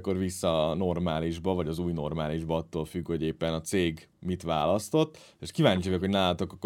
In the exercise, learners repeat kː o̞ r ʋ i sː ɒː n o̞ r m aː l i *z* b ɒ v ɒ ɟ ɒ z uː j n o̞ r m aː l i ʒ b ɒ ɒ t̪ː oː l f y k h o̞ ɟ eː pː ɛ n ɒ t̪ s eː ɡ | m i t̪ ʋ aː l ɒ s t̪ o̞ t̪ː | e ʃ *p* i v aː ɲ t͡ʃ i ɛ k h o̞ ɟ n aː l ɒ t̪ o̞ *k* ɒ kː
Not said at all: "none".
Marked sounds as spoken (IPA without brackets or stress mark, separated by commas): ʒ, k, k